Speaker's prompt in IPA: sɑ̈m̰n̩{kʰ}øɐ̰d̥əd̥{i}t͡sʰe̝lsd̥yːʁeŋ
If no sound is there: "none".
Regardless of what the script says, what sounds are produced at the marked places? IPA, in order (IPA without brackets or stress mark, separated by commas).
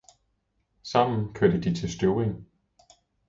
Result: kʰ, i